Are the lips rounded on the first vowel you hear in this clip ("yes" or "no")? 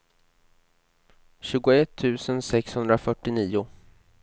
yes